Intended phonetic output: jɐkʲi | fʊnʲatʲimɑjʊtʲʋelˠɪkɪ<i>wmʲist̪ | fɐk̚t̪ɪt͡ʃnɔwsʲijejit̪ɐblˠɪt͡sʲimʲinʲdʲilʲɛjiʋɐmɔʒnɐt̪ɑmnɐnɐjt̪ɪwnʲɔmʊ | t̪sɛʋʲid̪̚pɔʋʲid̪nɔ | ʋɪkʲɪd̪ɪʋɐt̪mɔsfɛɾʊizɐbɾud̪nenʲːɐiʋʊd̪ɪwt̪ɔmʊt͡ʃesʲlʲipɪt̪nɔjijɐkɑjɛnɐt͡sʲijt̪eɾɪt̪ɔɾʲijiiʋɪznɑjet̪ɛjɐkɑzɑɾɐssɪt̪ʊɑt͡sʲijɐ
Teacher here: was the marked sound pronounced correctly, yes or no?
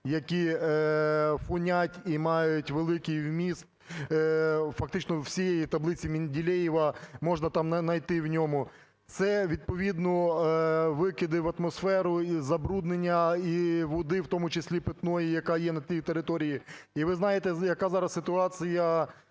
no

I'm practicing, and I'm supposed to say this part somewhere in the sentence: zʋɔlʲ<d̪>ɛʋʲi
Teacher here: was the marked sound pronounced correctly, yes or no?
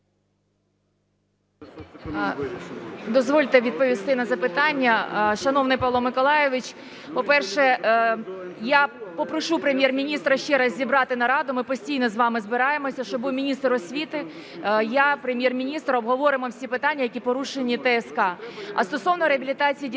no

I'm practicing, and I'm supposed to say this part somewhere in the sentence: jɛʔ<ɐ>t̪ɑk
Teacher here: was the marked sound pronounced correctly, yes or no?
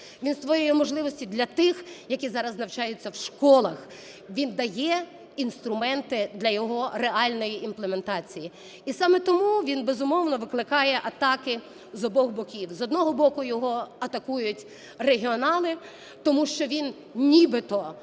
yes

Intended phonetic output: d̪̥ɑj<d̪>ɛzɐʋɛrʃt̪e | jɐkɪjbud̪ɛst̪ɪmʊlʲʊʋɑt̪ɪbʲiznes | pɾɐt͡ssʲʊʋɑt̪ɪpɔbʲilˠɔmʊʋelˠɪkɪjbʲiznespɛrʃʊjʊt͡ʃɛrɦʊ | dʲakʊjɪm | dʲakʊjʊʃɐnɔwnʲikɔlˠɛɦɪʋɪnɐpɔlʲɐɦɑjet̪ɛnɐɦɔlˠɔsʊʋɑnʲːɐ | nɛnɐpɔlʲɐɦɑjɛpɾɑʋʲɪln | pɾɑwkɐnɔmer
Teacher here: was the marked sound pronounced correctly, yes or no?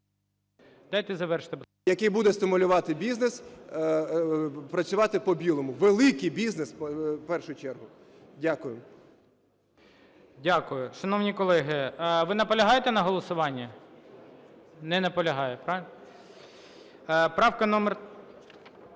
no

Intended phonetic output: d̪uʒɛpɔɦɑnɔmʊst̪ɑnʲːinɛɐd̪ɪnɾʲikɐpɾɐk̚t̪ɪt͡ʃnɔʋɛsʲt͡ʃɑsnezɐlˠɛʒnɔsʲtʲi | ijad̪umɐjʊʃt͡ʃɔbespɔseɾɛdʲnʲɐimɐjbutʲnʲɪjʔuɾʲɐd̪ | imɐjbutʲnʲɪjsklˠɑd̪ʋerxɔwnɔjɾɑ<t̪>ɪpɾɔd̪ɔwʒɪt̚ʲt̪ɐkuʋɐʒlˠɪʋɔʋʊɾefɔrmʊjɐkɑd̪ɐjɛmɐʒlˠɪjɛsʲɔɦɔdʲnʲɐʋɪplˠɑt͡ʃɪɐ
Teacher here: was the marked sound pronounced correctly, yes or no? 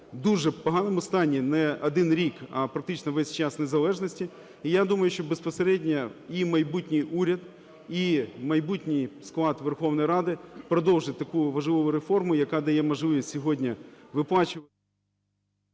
no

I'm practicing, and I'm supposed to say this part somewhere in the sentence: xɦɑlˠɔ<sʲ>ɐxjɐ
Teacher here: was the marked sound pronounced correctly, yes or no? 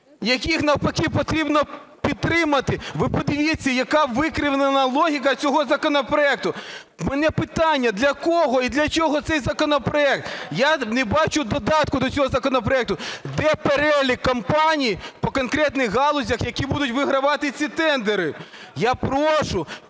no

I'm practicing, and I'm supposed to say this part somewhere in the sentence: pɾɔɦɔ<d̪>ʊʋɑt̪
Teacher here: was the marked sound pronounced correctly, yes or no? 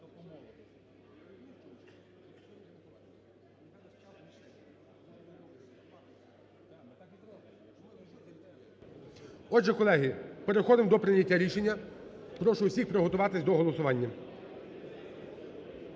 no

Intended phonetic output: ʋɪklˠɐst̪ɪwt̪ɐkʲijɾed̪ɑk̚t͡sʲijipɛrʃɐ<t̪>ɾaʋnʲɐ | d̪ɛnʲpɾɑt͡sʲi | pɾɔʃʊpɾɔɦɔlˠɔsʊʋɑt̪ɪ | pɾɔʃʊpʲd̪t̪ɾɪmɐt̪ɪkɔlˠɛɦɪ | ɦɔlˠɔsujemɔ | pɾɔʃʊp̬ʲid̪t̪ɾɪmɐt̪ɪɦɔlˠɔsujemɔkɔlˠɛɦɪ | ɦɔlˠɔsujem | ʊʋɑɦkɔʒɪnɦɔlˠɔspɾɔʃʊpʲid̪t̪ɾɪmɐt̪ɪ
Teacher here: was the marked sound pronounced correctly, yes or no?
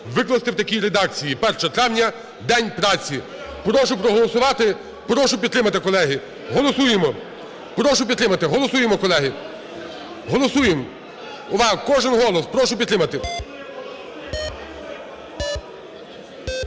yes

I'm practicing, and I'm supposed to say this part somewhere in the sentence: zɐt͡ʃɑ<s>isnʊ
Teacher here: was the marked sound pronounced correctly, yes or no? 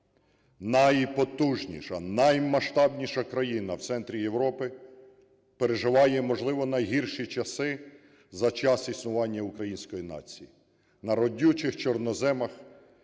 yes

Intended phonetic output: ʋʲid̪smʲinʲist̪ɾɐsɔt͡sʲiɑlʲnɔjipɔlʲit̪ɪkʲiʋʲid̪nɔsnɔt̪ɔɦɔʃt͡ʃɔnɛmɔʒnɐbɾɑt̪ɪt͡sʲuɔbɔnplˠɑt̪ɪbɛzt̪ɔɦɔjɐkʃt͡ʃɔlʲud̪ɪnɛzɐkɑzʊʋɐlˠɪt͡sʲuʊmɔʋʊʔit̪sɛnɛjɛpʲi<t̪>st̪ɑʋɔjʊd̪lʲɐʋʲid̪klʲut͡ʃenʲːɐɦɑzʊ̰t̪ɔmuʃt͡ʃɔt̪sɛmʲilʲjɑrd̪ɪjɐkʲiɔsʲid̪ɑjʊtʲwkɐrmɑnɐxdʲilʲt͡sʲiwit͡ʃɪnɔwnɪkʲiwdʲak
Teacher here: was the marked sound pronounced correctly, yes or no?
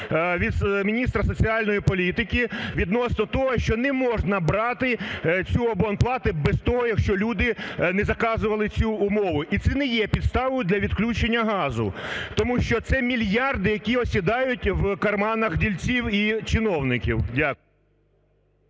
no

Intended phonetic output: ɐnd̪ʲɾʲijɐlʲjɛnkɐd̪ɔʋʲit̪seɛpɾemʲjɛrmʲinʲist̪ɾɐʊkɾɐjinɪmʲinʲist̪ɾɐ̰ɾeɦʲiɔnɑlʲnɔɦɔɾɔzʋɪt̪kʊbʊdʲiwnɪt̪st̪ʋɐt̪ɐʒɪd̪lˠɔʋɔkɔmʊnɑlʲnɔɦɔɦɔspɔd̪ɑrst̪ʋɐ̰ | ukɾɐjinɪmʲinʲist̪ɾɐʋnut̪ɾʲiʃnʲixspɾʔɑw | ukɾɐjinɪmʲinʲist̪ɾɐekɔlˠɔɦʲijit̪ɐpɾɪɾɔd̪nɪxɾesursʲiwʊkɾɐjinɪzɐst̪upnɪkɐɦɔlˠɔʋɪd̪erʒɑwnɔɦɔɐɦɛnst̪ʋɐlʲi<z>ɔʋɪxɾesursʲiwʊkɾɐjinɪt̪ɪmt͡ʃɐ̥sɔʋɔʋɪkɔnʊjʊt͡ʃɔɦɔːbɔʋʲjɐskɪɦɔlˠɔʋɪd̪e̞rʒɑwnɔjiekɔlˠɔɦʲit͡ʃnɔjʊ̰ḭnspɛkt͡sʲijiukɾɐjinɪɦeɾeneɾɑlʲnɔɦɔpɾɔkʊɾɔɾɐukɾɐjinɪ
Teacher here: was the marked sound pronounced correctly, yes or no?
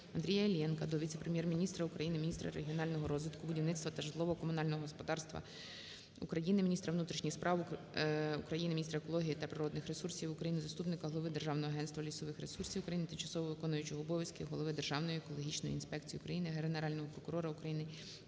no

